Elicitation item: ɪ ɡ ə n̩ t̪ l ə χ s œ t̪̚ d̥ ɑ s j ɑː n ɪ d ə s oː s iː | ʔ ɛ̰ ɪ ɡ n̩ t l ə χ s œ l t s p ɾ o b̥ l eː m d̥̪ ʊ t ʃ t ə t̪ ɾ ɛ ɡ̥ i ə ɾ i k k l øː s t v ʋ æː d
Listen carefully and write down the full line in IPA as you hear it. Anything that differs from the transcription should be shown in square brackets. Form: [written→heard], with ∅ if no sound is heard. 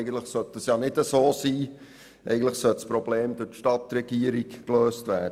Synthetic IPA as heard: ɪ ɡ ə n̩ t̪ l ə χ s œ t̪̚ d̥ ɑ s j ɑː n ɪ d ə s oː s iː | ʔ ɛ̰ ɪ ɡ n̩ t l ə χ s œ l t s p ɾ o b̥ l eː m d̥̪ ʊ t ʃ t [ə→ɑ] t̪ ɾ ɛ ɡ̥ i ə ɾ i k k l øː s t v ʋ æː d